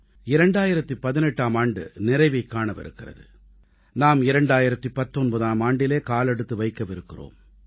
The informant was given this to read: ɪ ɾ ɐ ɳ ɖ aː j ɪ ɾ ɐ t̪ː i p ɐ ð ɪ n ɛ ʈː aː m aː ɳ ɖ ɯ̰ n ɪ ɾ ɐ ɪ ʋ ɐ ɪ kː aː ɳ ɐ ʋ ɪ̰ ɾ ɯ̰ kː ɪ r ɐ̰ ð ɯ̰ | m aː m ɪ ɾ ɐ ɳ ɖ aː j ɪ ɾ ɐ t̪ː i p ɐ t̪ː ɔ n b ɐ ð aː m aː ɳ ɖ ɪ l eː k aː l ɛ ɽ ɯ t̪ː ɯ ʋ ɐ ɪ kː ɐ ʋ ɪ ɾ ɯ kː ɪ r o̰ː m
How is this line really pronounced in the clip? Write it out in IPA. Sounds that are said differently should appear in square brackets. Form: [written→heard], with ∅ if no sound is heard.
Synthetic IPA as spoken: ɪ ɾ ɐ ɳ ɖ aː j ɪ ɾ ɐ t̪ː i p ɐ ð ɪ n ɛ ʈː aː m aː ɳ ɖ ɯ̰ n ɪ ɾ ɐ ɪ ʋ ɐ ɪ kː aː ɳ ɐ ʋ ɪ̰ ɾ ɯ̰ kː ɪ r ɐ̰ ð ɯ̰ | [m→n] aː m ɪ ɾ ɐ ɳ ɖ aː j ɪ ɾ ɐ t̪ː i p ɐ t̪ː ɔ n b ɐ ð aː m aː ɳ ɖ ɪ l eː k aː l ɛ ɽ ɯ t̪ː ɯ ʋ ɐ ɪ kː ɐ ʋ ɪ ɾ ɯ kː ɪ r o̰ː m